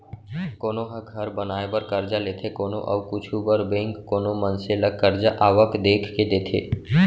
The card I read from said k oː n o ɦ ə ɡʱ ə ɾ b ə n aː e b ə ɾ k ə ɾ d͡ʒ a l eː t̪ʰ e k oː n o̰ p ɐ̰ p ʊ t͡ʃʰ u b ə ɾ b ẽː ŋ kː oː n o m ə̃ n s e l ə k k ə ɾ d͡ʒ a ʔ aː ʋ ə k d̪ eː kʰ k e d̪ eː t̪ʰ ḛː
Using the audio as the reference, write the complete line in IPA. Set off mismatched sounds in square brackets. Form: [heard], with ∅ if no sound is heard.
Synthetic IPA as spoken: k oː n o ɦ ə ɡʱ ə ɾ b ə n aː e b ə ɾ k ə ɾ d͡ʒ a l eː t̪ʰ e k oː n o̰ [ʔ] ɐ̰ [k] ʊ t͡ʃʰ u b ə ɾ b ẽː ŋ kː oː n o m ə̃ n s e l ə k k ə ɾ d͡ʒ a ʔ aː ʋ ə k d̪ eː kʰ k e d̪ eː t̪ʰ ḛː